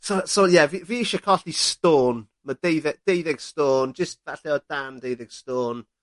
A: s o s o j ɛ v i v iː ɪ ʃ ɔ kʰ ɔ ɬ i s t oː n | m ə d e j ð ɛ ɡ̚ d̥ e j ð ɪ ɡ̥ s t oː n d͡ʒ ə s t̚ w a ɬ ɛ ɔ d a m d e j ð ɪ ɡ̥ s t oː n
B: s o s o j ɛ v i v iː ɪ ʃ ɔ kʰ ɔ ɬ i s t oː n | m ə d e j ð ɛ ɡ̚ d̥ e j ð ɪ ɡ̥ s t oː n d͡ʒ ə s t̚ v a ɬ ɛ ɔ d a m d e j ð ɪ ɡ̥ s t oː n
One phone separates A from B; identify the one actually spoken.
B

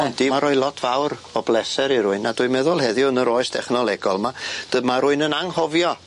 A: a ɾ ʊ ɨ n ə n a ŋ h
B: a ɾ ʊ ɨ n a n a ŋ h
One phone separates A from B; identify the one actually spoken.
A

